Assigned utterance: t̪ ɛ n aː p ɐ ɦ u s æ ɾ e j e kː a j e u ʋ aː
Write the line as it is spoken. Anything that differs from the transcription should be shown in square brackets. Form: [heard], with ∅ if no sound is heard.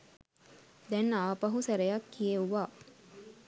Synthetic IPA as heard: [d̪] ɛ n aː p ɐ ɦ u s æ ɾ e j [a] kː [i] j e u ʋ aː